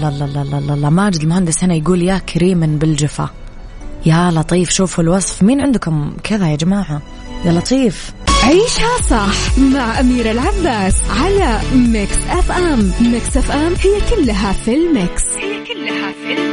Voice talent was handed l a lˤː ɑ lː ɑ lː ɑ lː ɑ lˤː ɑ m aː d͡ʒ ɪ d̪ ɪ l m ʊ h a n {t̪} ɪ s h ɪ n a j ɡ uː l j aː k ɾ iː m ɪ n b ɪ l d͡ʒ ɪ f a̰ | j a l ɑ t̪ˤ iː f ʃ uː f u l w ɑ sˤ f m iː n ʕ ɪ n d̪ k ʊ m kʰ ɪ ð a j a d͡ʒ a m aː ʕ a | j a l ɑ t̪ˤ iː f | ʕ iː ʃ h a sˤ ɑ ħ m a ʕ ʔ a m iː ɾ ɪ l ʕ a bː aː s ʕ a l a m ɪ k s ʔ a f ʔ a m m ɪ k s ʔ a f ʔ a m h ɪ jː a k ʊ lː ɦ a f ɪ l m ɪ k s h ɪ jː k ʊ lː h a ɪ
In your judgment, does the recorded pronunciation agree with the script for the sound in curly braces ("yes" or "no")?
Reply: no